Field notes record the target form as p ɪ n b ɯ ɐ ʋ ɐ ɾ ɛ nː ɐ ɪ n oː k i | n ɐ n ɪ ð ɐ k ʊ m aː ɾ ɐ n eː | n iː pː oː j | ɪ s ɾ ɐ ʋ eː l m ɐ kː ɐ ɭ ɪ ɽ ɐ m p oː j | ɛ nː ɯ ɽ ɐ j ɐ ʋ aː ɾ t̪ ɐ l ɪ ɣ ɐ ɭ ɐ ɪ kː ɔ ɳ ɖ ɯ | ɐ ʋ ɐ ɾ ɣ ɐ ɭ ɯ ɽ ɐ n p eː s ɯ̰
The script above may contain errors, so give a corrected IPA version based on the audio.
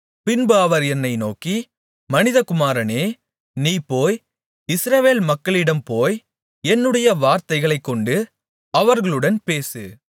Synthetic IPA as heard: p ɪ n b ɯ ɐ ʋ ɐ ɾ ɛ nː ɐ ɪ n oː k i | m ɐ n ɪ ð ɐ k ʊ m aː ɾ ɐ n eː | n iː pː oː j | ɪ s ɾ ɐ ʋ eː l m ɐ kː ɐ ɭ ɪ ɽ ɐ m p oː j | ɛ nː ɯ ɽ ɐ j ɐ ʋ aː ɾ t̪ ɐ ɪ ɣ ɐ ɭ ɐ ɪ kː ɔ ɳ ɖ ɯ | ɐ ʋ ɐ ɾ ɣ ɐ ɭ ɯ ɽ ɐ n p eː s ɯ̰